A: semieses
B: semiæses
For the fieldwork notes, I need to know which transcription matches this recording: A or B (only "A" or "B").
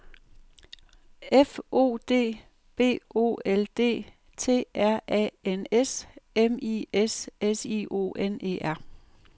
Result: A